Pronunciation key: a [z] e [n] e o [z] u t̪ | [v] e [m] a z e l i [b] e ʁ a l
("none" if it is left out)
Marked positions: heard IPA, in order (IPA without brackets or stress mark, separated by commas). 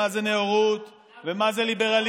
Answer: z, n, ʁ, v, m, b